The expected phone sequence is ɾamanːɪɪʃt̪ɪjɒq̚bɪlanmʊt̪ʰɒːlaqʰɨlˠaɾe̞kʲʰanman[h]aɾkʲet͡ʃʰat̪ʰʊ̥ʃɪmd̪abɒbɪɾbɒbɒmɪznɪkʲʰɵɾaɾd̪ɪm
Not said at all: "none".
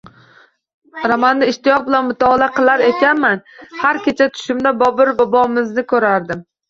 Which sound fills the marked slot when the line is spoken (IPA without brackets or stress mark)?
h